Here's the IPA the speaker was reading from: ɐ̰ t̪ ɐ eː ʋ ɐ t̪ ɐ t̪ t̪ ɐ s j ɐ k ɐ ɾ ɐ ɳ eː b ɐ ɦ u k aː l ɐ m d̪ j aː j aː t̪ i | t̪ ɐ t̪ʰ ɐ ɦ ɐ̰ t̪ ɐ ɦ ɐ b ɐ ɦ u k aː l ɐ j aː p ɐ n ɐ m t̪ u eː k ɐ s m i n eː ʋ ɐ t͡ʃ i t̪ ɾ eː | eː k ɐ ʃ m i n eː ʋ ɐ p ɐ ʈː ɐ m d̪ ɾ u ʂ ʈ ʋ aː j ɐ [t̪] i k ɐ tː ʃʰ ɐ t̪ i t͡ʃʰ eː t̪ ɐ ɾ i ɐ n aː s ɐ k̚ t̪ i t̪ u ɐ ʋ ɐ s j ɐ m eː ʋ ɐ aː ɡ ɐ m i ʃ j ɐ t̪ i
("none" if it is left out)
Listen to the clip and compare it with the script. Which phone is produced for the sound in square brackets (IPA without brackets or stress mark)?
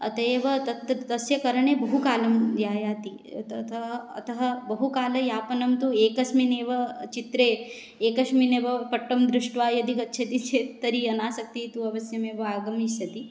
d̪